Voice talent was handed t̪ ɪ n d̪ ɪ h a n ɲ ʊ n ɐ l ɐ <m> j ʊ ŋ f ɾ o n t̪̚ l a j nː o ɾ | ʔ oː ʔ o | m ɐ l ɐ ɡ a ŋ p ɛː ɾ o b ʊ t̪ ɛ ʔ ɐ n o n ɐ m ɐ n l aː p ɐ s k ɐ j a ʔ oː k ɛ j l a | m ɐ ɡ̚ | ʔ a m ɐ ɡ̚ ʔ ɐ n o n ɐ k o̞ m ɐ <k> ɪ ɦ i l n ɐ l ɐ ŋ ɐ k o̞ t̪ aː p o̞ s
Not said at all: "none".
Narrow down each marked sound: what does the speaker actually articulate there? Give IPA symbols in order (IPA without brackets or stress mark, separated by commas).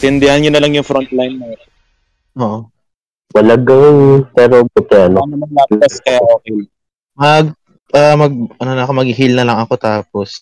ŋ, ɡ